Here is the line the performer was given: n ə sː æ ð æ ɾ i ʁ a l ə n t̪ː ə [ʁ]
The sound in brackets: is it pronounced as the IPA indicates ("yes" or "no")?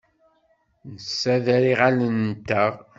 yes